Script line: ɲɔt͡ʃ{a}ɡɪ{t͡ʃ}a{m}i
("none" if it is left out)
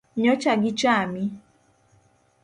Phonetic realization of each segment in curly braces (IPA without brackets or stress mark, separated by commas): a, t͡ʃ, m